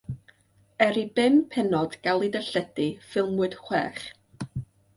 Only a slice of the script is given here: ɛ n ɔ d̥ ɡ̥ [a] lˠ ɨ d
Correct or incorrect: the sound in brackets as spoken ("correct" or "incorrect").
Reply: correct